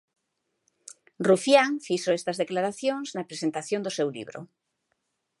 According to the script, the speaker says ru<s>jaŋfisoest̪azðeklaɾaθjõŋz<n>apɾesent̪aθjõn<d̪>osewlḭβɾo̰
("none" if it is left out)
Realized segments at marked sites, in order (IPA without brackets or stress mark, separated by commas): f, n, d̪